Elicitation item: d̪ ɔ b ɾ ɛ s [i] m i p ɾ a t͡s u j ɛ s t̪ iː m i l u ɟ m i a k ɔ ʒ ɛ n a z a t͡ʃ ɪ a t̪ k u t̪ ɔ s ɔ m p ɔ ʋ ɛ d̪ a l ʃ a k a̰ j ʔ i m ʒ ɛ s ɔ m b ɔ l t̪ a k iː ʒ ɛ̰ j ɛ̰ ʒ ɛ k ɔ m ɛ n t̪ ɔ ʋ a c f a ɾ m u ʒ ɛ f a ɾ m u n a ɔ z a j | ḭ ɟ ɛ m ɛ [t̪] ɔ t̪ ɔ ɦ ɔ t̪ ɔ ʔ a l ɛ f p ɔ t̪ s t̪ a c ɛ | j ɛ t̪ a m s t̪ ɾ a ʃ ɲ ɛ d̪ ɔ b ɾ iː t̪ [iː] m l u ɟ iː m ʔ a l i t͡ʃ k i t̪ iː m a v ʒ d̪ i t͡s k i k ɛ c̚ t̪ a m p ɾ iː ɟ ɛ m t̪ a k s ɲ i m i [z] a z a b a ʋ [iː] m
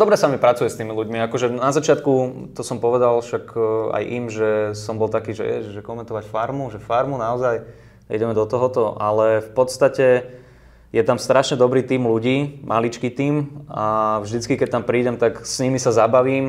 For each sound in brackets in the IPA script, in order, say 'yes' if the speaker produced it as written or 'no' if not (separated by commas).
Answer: no, no, yes, no, yes